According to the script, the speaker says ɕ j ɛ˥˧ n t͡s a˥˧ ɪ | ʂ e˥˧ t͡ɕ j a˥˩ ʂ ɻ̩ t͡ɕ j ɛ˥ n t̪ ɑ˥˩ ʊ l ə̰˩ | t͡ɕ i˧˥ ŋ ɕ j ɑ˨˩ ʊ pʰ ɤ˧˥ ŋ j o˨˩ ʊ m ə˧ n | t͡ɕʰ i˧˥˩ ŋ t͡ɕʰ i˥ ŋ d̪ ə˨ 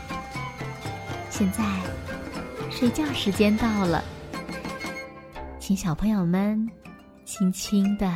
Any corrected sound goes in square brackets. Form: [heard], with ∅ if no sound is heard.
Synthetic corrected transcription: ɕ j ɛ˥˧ n t͡s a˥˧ ɪ | ʂ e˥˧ t͡ɕ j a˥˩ ʂ ɻ̩ t͡ɕ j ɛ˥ n t̪ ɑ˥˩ ʊ l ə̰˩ | [t͡ɕʰ] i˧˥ ŋ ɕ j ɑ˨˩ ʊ pʰ ɤ˧˥ ŋ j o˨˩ ʊ m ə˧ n | t͡ɕʰ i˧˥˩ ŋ t͡ɕʰ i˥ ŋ d̪ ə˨